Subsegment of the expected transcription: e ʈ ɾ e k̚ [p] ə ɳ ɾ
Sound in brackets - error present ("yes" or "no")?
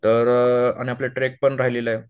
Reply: no